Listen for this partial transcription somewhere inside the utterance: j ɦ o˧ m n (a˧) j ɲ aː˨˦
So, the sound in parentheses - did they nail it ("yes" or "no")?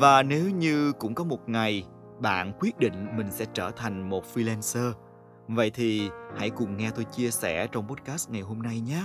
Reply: yes